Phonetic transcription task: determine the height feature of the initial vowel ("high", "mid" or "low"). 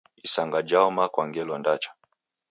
high